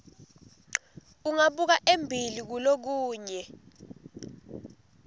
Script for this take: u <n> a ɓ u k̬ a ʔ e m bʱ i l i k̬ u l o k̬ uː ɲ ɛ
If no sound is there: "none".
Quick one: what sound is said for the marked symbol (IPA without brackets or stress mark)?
ŋ